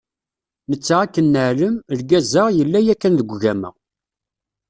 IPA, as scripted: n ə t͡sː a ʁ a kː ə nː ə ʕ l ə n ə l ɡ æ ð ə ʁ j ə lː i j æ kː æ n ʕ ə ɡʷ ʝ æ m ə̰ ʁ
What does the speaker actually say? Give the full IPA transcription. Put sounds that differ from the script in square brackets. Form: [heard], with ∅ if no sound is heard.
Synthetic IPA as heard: n ə t͡sː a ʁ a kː ə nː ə ʕ l ə [m] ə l ɡ æ [z] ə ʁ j ə lː [æ] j æ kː æ n [ð] ə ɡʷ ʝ æ m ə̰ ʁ